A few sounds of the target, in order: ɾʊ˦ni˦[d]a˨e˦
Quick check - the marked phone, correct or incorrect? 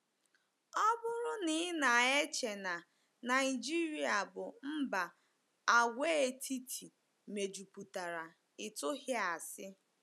incorrect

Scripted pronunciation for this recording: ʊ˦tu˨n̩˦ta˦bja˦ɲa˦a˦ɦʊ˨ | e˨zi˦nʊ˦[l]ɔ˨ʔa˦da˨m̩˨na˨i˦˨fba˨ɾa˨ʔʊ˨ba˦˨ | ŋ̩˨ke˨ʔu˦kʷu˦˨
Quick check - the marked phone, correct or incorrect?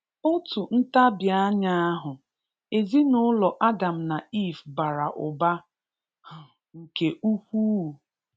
correct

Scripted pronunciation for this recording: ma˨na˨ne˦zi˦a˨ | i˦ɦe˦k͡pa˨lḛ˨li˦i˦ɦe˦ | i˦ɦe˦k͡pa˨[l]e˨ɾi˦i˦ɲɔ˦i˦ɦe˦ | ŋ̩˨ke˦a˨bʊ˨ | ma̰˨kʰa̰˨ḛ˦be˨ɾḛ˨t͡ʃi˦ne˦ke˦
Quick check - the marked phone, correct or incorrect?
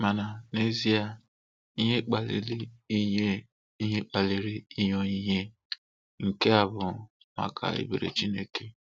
correct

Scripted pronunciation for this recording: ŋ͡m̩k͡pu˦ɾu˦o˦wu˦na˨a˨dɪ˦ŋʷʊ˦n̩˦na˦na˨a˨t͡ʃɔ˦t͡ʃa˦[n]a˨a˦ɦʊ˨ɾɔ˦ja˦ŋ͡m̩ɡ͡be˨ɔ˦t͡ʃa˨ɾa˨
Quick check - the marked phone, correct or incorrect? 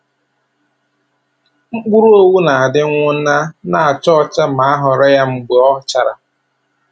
incorrect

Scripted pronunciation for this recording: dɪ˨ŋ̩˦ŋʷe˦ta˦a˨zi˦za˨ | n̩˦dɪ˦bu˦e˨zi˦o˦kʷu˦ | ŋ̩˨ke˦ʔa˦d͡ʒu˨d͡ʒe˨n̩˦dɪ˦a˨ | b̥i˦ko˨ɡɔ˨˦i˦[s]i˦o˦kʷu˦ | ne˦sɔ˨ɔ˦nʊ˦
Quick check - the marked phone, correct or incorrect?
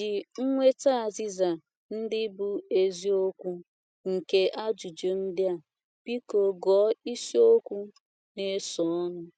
correct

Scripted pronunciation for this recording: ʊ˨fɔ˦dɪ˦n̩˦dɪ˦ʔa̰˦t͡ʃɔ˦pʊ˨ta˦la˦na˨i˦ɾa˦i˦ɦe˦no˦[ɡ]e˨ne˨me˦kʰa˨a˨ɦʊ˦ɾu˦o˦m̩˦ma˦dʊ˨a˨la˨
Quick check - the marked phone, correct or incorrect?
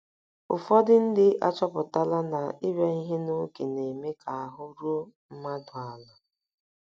incorrect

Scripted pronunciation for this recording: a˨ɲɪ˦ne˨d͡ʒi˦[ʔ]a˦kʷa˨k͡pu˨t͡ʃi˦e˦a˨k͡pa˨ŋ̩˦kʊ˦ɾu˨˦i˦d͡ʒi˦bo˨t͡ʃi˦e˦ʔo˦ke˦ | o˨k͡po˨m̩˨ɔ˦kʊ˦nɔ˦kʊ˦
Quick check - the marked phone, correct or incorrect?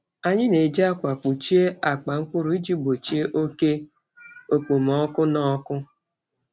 incorrect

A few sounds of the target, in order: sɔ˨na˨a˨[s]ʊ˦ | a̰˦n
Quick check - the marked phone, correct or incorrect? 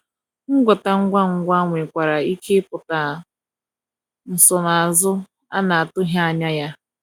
incorrect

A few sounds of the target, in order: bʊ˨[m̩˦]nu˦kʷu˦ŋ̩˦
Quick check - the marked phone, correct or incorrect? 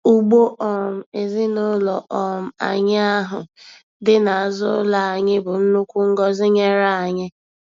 incorrect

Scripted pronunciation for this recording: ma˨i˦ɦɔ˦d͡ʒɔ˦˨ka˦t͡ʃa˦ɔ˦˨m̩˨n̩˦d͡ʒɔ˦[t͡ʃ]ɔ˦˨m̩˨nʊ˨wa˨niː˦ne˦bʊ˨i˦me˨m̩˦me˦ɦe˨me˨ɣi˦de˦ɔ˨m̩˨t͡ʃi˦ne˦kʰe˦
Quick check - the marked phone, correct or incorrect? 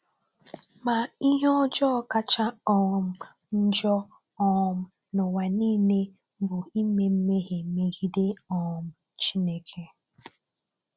incorrect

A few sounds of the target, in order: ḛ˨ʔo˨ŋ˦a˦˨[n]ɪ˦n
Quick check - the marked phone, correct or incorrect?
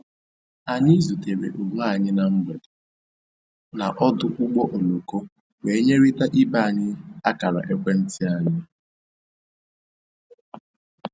incorrect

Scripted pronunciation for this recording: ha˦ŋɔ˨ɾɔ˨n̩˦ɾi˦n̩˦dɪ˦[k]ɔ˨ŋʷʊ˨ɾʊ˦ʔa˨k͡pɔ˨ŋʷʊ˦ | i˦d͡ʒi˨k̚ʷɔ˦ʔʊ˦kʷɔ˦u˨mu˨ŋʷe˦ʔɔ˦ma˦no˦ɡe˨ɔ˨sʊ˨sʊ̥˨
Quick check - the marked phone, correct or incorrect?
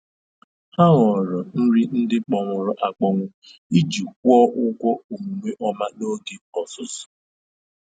incorrect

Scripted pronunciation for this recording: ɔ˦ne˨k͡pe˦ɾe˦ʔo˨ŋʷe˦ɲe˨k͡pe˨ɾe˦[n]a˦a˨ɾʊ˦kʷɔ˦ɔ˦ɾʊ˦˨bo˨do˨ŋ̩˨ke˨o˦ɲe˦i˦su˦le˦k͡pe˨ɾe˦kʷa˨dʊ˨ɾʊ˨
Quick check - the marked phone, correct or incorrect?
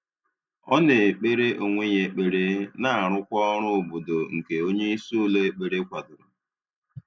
correct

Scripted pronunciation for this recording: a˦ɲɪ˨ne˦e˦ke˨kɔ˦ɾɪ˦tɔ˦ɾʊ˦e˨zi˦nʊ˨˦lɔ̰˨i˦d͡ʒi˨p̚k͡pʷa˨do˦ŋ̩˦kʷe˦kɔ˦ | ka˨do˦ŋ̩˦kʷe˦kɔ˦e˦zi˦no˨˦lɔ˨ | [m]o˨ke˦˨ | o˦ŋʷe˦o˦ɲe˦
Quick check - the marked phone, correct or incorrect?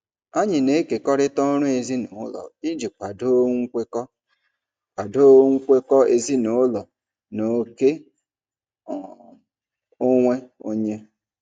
incorrect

